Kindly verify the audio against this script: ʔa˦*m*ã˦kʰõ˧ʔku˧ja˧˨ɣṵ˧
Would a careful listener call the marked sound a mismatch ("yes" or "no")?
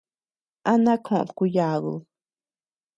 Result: yes